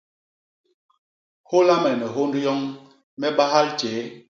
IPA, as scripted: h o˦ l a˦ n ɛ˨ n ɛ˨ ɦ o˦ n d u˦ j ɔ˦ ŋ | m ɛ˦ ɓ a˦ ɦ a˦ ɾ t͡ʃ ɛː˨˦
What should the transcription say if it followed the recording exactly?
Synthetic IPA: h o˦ l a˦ m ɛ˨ n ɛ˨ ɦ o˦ n d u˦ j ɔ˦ ŋ | m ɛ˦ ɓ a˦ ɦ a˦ l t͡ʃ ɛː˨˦